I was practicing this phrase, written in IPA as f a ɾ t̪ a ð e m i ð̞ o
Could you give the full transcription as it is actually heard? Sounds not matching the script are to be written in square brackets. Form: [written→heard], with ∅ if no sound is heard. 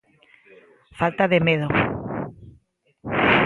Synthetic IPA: f a [ɾ→l] t̪ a ð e m [i→e] ð̞ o